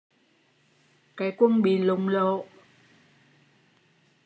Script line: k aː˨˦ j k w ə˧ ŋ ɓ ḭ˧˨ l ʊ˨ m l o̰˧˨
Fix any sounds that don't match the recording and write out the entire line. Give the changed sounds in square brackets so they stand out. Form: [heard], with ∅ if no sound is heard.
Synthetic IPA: k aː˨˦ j k w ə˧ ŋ ɓ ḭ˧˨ l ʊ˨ [ŋ͡m] l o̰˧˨